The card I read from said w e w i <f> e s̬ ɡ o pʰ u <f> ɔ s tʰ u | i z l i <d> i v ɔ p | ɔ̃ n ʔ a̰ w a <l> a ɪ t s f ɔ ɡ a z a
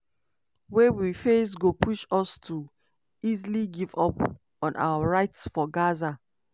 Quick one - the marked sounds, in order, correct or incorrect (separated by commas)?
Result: correct, incorrect, incorrect, incorrect